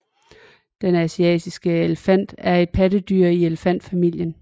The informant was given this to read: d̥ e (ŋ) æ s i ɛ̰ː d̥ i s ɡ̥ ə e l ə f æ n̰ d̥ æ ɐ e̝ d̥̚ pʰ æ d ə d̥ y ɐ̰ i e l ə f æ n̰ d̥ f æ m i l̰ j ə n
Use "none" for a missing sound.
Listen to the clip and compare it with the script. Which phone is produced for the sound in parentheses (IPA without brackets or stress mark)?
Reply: n